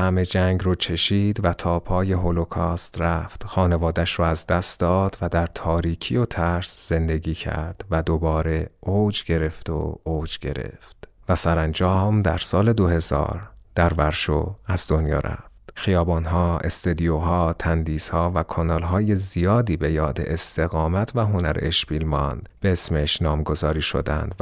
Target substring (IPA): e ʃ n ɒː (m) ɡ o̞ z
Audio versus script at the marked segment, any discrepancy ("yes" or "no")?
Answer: no